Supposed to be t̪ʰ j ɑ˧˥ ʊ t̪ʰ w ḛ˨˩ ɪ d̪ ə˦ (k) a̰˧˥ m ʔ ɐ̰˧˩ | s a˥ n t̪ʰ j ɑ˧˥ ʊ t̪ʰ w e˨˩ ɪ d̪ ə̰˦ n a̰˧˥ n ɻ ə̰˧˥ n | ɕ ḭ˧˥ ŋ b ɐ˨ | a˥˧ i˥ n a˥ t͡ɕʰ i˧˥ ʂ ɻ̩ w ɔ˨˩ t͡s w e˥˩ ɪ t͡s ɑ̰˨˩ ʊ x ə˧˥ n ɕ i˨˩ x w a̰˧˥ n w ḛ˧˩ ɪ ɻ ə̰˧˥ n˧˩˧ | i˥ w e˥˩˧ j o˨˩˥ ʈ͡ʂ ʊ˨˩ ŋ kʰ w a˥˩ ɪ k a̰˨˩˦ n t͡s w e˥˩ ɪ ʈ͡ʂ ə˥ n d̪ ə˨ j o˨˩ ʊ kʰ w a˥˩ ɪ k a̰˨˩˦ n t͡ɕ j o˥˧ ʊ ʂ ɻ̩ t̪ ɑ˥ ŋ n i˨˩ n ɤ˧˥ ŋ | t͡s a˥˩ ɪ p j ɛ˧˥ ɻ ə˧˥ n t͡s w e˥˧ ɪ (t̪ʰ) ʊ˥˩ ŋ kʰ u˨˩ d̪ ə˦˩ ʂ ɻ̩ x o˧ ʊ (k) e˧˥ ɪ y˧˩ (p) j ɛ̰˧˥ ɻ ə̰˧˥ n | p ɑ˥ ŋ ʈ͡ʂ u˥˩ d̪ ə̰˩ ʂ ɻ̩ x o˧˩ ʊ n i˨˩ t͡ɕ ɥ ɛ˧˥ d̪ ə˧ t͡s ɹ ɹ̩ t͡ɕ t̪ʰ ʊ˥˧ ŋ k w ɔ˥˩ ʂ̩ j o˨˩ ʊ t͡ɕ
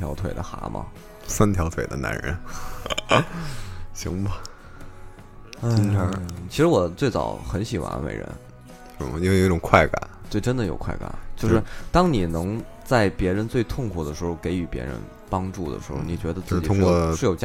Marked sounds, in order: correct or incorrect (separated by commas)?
incorrect, correct, correct, correct